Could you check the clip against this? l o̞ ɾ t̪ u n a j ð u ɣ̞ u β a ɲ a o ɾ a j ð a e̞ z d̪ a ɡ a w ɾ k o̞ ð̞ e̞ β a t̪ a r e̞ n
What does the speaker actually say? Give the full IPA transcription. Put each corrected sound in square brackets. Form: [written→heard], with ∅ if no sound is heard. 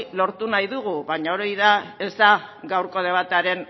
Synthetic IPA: l o̞ ɾ t̪ u n a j ð u ɣ̞ u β a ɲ a o ɾ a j ð a e̞ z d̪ a ɡ a w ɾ k o̞ ð̞ e̞ β a t̪ a [r→ɾ] e̞ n